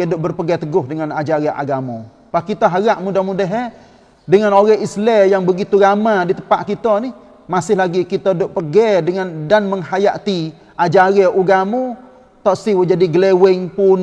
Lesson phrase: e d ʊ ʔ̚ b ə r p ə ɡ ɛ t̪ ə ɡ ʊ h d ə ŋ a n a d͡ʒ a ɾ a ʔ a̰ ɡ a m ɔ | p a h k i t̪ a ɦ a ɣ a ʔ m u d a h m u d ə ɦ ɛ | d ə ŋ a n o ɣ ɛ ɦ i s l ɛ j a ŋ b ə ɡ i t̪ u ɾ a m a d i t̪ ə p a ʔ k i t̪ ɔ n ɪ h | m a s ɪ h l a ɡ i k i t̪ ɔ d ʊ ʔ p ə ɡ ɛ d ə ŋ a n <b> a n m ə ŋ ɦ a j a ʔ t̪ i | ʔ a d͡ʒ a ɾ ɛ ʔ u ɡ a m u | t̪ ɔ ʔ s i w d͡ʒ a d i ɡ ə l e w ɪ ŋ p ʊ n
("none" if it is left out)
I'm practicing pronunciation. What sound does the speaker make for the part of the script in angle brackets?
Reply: d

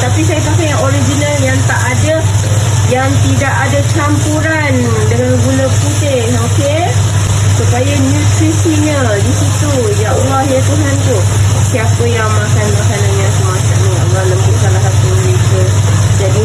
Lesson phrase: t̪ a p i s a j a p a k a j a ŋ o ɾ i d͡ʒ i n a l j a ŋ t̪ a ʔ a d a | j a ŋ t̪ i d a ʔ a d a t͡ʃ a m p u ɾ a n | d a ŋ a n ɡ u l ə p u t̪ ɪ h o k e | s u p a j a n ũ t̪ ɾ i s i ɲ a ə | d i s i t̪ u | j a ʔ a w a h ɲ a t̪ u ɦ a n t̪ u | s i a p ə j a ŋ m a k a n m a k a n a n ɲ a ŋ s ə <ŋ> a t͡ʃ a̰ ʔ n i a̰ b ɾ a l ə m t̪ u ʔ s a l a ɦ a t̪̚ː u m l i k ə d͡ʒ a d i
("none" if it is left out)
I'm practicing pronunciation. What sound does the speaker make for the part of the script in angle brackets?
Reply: m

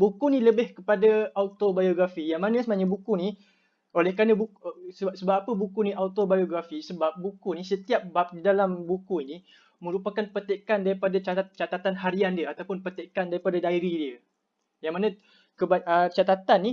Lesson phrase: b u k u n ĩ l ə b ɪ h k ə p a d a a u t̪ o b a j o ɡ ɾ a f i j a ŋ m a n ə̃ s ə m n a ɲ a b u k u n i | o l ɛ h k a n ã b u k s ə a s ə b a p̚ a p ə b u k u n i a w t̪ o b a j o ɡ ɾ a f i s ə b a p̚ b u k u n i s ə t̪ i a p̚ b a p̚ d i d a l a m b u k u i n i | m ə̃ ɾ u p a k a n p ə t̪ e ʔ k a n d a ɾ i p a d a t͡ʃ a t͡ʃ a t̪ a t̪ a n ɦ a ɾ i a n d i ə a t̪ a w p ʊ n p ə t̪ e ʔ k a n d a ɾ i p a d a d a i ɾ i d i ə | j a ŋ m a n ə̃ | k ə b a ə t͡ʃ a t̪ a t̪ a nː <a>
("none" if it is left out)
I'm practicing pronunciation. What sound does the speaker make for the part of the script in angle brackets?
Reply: i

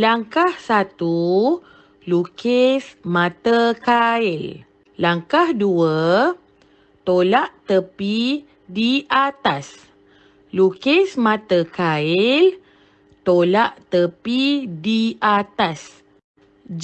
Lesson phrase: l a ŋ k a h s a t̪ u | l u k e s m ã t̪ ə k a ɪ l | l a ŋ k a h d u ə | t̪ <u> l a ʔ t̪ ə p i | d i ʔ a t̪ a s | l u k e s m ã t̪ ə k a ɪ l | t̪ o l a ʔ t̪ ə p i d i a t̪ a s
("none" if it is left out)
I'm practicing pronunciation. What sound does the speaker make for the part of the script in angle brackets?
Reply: o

